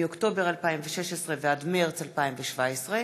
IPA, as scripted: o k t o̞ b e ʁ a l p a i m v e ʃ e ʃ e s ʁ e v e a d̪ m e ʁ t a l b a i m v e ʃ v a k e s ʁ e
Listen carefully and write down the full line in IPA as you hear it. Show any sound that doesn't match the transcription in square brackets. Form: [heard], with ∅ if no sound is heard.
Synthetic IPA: o k t o̞ b e ʁ a l p a i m v e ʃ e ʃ e s ʁ e v e a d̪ m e ʁ [t͡s] a l [p] a i m v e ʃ v a [∅] e s ʁ e